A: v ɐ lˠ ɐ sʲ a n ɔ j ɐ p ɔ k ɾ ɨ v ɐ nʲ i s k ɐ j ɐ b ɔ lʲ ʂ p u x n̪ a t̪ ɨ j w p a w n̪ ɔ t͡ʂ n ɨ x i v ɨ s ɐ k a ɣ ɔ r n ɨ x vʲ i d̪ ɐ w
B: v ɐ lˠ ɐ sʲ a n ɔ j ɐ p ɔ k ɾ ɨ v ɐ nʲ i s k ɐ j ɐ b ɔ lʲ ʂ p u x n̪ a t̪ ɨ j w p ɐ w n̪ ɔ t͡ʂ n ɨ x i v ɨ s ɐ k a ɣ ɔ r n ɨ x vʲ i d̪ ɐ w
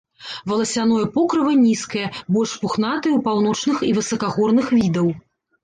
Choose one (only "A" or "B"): A